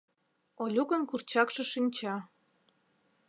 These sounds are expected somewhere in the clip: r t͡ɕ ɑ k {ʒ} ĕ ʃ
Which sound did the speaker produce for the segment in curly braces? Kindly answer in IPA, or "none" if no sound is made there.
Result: ʃ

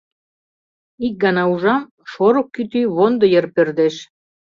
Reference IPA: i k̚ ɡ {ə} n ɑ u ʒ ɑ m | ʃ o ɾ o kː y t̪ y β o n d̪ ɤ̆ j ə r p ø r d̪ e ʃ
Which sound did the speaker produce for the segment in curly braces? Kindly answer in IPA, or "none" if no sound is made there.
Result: ɑ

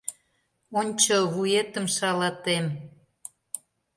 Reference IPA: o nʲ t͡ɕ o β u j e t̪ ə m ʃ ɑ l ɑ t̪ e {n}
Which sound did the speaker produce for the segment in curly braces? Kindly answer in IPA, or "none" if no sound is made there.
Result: m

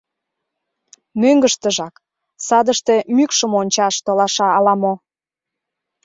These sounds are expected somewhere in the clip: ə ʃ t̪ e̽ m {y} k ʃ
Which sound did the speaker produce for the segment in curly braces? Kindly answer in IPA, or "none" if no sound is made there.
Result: y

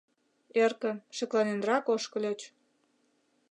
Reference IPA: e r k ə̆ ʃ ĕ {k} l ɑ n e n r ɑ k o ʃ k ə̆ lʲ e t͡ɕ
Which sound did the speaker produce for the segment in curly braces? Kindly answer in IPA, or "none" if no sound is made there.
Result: k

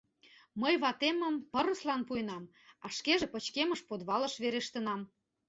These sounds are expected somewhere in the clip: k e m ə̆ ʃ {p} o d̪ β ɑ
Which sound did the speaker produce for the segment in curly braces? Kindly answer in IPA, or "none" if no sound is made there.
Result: p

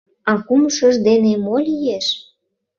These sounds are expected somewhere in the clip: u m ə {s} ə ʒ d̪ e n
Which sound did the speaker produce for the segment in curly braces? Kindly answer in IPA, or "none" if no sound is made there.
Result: ʃ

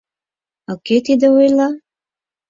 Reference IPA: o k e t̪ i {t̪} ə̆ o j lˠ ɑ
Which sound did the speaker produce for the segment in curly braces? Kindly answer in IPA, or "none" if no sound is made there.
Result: d̪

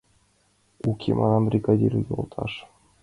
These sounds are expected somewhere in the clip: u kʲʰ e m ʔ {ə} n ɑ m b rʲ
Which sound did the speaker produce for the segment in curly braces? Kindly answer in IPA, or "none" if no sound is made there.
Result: ɑ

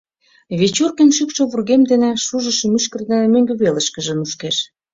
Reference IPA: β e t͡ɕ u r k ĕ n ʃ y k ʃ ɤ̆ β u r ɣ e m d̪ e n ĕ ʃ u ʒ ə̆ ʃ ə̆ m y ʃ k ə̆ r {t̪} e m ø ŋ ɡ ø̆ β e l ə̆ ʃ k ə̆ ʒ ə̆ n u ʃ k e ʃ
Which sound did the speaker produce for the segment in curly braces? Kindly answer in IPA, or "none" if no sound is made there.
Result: d̪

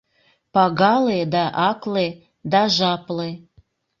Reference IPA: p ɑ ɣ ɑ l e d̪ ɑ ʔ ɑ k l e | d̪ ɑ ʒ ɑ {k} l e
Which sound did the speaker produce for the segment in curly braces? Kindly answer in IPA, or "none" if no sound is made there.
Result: p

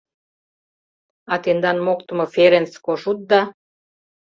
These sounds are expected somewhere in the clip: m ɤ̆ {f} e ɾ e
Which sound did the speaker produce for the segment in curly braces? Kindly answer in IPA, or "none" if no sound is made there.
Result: f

